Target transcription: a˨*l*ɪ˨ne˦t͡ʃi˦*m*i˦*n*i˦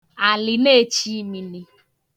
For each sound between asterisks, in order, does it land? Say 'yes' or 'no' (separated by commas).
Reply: yes, yes, yes